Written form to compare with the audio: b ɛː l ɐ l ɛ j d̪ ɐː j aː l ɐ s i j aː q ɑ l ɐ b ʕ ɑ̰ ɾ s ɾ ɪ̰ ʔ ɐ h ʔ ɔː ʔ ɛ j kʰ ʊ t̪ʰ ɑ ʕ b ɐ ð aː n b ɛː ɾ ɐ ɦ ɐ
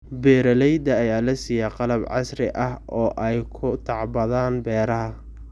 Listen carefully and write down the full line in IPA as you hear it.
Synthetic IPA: b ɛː ɾ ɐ l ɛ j d̪ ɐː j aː l ɐ s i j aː q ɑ l ɐ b ʕ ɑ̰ s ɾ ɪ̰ ʔ ɐ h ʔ ɔː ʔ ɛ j kʰ ʊ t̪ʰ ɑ ʕ b ɐ ð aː n b ɛː ɾ ɐ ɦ ɐ